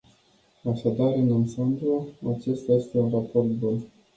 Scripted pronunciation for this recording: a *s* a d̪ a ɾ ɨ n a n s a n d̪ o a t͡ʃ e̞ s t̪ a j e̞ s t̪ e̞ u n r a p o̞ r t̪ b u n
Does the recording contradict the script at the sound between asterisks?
yes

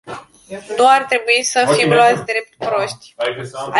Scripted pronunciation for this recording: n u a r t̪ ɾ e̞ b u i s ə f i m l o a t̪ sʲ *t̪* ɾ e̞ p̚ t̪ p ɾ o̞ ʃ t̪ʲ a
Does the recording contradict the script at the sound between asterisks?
yes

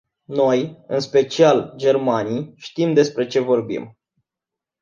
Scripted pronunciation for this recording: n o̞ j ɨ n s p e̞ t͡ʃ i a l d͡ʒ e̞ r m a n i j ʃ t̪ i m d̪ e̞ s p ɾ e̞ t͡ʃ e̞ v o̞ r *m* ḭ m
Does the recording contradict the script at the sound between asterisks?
yes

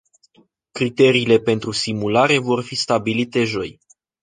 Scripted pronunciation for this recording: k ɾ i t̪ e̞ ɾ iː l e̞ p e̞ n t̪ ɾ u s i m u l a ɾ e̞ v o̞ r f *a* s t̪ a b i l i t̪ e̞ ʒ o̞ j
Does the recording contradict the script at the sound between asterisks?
yes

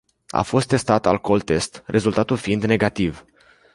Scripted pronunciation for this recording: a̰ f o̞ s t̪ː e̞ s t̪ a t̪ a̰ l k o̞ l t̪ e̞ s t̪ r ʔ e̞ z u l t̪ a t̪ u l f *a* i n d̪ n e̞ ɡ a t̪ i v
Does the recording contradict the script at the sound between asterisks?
yes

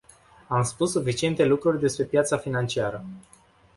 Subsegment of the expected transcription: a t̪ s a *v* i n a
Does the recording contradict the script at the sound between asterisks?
yes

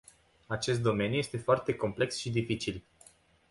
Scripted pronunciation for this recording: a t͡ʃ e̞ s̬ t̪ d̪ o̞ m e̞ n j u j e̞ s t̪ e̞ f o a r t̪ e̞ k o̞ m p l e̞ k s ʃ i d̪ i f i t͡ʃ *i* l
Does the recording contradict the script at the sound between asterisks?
no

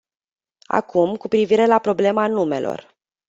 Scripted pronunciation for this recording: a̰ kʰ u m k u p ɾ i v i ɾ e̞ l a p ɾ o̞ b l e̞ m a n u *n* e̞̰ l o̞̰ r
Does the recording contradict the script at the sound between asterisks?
yes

